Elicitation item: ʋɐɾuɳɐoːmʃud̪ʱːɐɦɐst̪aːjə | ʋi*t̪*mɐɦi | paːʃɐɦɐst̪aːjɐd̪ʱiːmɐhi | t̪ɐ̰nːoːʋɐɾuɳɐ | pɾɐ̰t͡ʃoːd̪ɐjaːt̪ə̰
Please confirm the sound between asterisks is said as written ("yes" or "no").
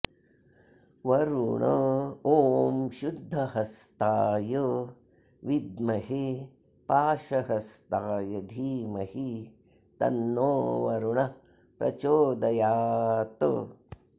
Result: no